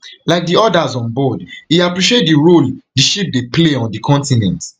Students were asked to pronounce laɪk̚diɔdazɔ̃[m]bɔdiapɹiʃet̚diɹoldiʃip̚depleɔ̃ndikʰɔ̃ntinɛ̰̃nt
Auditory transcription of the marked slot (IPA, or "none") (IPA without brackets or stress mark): n